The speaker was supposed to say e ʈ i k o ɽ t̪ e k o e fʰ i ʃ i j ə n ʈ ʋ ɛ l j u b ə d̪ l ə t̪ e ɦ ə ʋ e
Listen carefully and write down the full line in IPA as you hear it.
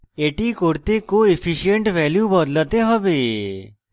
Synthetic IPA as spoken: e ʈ i k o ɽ t̪ e k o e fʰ i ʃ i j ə ɳ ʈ ʋ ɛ l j u b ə d̪ l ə t̪ e ɦ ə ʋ e